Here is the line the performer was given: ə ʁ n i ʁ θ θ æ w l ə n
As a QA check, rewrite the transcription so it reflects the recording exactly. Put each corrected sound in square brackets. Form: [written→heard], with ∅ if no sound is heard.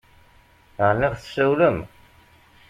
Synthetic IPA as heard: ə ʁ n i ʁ θ [θ→s] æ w l ə [n→m]